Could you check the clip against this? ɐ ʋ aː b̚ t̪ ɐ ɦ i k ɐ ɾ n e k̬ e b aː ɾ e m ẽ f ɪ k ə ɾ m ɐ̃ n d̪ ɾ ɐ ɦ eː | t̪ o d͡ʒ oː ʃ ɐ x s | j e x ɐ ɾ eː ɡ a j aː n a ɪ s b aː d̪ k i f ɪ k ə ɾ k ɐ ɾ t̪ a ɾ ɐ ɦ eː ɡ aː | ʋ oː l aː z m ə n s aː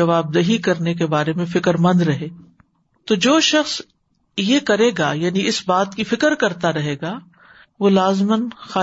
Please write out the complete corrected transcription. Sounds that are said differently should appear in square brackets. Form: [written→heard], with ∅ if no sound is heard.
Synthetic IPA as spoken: ɐ ʋ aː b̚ [t̪→d̪] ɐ ɦ i k ɐ ɾ n e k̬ e b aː ɾ e m ẽ f ɪ k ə ɾ m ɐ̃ n d̪ ɾ ɐ ɦ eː | t̪ o d͡ʒ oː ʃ ɐ x s | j e [x→k] ɐ ɾ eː ɡ a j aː n [a→i] ɪ s b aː [d̪→t̪] k i f ɪ k ə ɾ k ɐ ɾ t̪ a ɾ ɐ ɦ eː ɡ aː | ʋ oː l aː z m ə n [s→x] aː